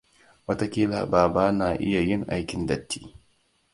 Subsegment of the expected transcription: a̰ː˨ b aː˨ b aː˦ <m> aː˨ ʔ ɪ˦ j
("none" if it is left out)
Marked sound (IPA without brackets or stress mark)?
n